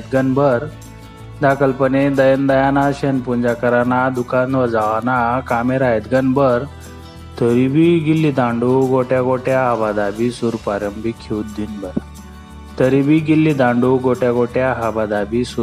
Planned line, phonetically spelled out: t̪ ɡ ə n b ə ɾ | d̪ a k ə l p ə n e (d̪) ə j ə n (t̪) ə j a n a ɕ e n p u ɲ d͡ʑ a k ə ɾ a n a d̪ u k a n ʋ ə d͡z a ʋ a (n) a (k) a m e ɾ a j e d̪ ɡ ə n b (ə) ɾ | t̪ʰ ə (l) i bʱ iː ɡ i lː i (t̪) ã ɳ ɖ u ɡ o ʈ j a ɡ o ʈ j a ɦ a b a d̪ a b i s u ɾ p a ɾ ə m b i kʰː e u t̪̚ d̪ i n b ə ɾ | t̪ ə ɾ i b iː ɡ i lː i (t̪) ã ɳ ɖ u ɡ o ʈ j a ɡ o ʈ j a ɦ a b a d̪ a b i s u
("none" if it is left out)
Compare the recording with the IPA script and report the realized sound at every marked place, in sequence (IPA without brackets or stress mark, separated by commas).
d̪, d̪, n, k, ə, ɾ, d̪, d̪